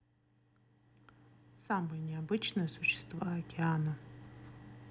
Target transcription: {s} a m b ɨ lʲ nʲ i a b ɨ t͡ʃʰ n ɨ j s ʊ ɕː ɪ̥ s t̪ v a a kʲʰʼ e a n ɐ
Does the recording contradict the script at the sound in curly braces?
no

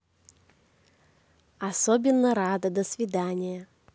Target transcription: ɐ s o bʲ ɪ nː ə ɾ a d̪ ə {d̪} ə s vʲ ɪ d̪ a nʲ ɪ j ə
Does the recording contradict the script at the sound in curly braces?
no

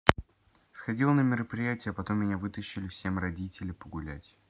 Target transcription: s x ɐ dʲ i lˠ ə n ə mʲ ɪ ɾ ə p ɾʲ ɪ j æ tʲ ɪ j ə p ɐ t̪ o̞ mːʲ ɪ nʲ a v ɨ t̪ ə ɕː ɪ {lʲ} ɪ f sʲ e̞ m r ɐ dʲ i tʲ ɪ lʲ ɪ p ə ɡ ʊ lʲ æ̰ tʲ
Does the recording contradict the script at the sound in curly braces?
no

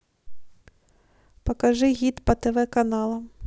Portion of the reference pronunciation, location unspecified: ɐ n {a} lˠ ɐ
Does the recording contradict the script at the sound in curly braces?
yes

